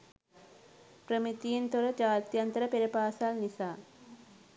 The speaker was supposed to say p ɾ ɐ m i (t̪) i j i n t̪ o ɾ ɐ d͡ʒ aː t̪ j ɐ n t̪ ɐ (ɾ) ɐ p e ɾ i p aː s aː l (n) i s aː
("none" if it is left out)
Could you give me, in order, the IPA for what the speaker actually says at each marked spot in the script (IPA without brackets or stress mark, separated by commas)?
t̪, ɾ, n